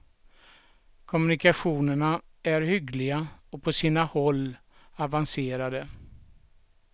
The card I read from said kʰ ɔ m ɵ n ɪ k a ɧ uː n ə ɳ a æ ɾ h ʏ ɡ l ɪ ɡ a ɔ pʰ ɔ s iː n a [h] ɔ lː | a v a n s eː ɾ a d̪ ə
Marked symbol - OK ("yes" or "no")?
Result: yes